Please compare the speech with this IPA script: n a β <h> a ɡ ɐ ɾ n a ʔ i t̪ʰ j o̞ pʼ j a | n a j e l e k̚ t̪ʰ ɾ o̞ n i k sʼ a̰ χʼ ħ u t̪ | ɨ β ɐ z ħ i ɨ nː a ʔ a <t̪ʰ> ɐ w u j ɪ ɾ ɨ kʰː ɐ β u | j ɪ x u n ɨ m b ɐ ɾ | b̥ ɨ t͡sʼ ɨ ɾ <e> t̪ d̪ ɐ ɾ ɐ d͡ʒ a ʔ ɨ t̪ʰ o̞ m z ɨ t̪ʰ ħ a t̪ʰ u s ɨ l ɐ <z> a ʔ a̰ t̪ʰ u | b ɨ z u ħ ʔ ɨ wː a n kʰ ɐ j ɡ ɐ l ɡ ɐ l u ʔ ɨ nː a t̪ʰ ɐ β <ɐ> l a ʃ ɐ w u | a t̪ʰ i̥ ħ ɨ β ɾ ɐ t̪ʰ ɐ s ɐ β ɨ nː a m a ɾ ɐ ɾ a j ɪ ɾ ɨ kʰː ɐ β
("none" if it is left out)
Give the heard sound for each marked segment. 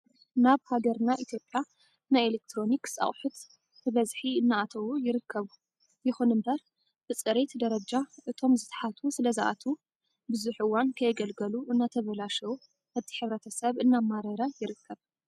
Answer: h, t̪ʰ, e, z, ɐ

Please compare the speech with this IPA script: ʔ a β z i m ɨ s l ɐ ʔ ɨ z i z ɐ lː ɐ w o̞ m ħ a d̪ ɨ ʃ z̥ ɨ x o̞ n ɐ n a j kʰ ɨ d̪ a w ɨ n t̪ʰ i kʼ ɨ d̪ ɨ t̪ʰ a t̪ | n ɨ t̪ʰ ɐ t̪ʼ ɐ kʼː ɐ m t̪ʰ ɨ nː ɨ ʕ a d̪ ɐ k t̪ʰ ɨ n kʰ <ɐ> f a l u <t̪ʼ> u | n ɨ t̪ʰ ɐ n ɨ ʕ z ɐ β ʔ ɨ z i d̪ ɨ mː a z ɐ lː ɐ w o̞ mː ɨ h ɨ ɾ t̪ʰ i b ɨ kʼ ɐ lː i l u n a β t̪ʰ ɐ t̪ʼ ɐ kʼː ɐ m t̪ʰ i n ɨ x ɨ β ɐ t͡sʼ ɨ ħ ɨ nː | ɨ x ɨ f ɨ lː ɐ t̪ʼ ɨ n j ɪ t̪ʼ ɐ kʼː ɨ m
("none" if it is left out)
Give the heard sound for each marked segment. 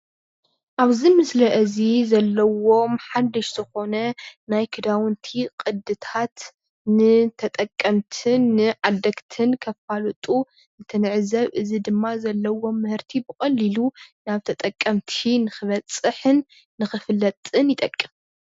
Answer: ɐ, t̪ʼ

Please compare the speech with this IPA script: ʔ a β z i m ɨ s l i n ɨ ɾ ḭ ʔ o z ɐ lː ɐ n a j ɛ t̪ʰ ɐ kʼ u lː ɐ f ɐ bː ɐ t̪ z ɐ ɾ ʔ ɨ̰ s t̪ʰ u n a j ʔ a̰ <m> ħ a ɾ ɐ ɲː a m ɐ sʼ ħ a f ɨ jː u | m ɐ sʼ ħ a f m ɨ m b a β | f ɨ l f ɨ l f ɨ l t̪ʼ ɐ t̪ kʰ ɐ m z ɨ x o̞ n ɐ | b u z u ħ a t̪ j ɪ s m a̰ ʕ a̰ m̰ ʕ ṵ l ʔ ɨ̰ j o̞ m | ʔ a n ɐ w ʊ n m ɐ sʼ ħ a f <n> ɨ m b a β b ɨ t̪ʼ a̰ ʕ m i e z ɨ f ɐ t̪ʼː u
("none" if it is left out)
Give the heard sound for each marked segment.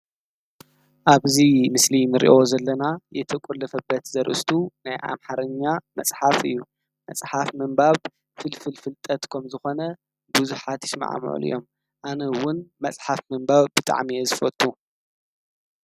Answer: m, m

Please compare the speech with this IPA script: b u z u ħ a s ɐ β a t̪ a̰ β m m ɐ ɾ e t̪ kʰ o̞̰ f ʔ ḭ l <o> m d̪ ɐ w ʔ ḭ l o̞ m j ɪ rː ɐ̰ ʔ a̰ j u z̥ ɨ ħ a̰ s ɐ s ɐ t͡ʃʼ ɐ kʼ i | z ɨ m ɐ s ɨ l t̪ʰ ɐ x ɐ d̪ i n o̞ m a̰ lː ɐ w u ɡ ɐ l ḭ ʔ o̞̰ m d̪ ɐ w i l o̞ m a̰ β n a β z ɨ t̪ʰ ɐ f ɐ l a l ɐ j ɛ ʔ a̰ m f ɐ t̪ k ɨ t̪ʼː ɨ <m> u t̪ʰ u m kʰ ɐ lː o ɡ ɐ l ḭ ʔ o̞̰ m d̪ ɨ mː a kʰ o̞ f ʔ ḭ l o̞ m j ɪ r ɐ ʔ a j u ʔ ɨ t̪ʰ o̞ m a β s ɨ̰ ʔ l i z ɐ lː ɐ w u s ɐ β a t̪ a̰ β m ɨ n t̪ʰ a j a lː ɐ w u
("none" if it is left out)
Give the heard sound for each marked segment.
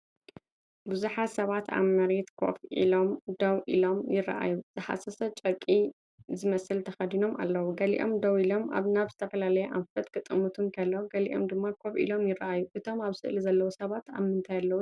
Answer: o, m

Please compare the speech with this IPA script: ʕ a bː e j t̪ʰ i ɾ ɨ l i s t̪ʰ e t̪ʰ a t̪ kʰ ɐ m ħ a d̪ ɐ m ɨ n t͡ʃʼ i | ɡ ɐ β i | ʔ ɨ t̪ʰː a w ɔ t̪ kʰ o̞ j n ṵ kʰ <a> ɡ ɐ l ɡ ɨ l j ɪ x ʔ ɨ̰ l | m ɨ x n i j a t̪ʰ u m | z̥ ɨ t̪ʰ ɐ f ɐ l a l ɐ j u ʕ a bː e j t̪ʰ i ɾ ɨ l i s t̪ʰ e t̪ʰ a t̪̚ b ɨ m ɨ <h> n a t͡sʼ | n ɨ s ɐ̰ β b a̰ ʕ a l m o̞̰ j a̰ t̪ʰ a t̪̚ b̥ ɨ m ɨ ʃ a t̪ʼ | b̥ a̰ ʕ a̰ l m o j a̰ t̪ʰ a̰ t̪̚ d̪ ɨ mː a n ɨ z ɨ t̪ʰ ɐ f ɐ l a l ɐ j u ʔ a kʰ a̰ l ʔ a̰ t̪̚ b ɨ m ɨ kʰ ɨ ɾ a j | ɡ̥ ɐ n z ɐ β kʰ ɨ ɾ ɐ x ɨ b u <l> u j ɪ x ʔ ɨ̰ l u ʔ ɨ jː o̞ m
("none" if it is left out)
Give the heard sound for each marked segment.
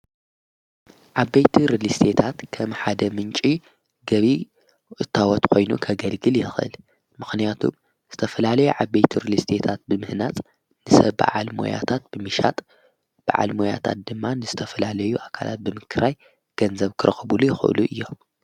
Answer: ɐ, h, l

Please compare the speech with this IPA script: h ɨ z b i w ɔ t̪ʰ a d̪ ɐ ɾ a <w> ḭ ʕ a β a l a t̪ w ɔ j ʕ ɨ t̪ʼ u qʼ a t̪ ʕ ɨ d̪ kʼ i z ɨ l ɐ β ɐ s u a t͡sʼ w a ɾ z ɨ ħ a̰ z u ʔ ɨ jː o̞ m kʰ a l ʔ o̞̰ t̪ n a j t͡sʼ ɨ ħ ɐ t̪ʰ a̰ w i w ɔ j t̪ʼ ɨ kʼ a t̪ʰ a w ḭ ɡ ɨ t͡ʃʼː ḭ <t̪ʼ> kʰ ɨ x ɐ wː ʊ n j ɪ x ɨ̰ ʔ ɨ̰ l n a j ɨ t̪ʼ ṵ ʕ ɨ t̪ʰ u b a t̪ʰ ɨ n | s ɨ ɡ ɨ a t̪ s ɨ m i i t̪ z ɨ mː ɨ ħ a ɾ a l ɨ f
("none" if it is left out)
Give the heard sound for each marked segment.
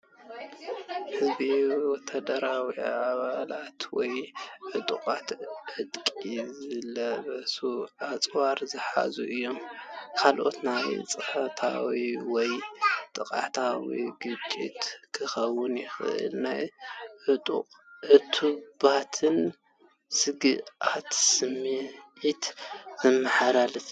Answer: w, t̪

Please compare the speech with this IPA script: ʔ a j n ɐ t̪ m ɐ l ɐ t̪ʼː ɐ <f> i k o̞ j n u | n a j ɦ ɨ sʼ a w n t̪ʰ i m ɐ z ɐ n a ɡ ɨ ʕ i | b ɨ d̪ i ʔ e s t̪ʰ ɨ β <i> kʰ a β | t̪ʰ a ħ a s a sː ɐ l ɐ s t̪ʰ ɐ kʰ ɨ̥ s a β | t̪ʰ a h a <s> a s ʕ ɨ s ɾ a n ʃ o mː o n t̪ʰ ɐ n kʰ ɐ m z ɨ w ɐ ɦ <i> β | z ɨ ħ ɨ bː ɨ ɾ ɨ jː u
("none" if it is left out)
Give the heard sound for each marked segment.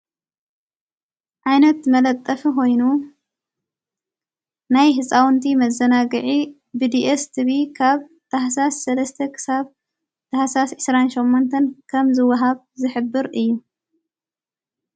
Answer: f, i, s, a

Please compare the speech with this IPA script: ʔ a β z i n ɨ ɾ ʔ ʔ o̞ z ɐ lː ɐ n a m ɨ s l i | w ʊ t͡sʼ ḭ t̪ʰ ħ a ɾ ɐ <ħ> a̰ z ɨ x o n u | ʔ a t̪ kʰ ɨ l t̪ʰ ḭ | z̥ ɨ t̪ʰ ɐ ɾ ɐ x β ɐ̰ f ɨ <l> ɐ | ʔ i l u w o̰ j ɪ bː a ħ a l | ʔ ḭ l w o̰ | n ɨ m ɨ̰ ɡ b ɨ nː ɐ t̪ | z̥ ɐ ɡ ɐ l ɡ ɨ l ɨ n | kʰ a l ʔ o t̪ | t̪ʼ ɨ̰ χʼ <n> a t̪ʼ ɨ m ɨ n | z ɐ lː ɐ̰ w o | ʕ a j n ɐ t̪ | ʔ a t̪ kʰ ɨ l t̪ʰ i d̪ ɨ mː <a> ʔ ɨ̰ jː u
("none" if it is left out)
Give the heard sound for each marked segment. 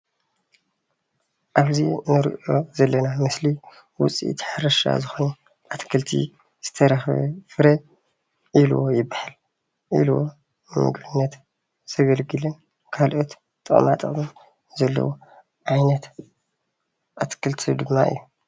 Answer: ʃ, ɾ, m, a

